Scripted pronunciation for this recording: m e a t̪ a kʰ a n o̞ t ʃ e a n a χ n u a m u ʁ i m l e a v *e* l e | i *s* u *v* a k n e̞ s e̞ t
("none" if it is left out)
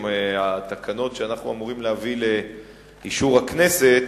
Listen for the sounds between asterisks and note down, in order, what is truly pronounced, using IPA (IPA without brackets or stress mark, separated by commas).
i, ʃ, ʁ